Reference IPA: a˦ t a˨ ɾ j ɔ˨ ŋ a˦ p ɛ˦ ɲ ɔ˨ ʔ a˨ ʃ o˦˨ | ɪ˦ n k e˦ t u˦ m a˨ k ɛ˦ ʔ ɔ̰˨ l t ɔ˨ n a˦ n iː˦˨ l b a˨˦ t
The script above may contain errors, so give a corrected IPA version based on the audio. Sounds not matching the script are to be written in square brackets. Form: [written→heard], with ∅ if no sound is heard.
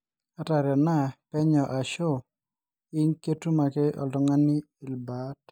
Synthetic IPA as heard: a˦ t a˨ ɾ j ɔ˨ [ŋ→n] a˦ p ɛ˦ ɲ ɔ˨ ʔ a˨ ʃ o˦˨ | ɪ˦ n k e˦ t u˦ m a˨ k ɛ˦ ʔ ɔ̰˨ l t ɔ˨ [n→ŋ] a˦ n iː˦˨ l b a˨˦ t